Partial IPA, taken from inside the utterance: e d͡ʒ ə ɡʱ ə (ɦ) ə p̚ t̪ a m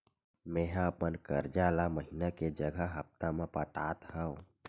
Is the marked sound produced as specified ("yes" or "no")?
yes